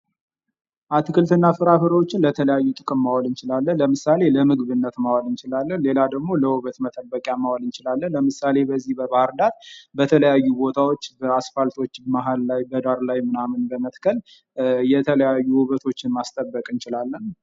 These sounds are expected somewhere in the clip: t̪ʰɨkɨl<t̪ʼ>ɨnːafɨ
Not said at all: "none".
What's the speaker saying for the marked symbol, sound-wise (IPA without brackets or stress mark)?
t̪